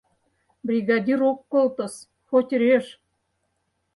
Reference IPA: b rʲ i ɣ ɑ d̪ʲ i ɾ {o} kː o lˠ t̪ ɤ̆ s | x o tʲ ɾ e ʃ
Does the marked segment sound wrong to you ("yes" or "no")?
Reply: no